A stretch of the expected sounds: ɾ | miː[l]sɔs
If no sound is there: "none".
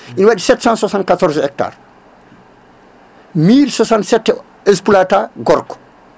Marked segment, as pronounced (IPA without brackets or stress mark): l